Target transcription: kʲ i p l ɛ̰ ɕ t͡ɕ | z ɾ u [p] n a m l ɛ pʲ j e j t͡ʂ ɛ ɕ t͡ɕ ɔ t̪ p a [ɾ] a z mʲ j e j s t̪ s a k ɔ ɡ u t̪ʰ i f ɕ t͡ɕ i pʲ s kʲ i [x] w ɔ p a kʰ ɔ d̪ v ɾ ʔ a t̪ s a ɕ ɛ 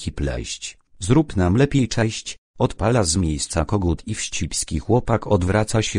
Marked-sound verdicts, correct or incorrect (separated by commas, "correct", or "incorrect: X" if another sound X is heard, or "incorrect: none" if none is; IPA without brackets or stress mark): correct, incorrect: l, correct